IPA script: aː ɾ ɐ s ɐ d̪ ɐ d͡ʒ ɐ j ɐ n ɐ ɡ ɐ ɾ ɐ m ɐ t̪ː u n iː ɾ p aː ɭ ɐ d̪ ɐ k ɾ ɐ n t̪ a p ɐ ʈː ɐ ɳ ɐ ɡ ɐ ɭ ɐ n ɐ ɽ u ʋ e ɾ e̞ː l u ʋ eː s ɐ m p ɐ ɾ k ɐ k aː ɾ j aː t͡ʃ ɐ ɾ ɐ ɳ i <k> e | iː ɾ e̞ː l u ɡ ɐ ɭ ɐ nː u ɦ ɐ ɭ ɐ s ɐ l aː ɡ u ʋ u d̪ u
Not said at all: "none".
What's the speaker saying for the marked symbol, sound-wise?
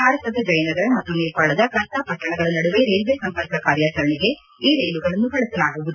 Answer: ɡ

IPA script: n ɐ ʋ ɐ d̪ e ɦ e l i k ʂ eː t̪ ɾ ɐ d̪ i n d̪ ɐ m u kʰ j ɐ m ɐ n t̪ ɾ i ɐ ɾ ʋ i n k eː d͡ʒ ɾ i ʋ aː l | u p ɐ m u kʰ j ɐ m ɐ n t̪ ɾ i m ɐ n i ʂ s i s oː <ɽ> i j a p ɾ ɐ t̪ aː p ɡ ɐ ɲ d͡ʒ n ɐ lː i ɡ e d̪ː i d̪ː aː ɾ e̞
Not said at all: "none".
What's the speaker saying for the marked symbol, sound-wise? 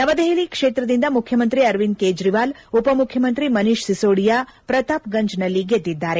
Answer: ɽ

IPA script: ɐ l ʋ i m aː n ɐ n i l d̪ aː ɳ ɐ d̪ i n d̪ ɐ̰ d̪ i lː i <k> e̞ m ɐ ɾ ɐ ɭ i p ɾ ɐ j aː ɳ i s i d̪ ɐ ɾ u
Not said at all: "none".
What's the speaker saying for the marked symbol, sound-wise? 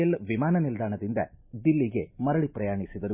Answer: ɡ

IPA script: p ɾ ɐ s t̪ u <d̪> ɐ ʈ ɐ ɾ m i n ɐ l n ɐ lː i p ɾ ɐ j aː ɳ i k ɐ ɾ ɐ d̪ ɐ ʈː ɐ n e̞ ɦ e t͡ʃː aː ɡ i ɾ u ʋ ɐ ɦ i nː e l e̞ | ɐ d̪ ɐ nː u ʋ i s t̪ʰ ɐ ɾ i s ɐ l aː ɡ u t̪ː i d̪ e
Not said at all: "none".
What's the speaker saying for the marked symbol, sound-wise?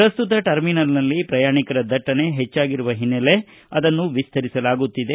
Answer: t̪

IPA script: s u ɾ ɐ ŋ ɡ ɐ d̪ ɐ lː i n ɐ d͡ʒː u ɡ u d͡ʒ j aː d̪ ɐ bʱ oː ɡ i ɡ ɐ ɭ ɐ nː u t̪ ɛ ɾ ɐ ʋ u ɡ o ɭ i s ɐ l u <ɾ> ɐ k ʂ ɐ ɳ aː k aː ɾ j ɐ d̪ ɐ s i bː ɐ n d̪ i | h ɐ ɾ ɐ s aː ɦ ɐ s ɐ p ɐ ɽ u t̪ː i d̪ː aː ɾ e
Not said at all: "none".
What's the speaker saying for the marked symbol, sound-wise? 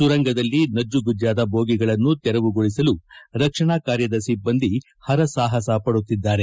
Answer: ɾ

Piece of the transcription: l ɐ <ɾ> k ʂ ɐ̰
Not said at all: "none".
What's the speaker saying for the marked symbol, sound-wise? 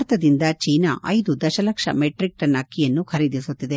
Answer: none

